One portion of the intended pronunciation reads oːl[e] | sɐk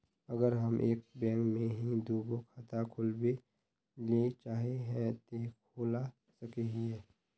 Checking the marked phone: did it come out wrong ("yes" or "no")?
yes